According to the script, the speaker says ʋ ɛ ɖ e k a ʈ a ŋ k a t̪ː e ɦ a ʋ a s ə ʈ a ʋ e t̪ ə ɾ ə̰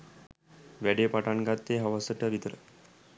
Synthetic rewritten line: ʋ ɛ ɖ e p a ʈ a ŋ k a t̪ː e ɦ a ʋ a s ə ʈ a ʋ i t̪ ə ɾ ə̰